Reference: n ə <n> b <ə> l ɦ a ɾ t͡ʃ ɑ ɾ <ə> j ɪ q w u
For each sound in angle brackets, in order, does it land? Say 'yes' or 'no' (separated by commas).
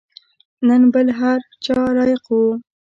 yes, yes, no